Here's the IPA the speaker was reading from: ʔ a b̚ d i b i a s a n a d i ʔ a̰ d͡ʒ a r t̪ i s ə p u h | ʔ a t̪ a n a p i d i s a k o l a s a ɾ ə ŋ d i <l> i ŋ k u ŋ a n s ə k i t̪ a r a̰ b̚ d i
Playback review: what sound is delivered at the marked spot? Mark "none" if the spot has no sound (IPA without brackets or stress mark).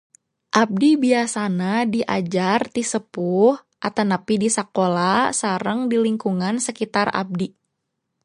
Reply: l